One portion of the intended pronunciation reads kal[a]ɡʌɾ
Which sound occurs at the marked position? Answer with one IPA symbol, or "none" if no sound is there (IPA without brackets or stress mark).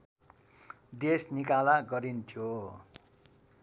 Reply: a